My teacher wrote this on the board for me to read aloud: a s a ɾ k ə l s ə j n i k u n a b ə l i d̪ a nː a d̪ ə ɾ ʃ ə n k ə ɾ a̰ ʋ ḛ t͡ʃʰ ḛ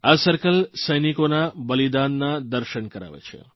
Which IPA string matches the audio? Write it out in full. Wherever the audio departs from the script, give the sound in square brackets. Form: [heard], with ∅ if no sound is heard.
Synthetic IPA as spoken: a s [ə] ɾ k ə l s ə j n i k [o] n a b ə l i d̪ a nː a d̪ ə ɾ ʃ ə n k ə ɾ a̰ ʋ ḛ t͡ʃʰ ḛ